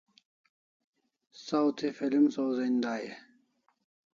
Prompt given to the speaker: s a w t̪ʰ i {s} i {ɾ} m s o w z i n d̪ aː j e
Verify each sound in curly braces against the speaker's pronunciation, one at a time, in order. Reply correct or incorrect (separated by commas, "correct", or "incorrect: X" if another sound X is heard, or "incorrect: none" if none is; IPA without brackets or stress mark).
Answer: incorrect: f, incorrect: l